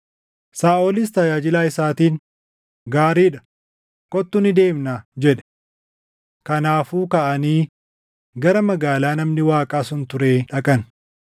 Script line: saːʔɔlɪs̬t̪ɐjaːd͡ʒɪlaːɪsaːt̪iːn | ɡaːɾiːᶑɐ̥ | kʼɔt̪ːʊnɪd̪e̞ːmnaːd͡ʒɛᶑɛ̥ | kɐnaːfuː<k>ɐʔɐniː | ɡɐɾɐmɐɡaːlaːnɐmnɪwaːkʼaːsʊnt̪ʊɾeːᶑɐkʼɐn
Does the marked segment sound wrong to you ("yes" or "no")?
no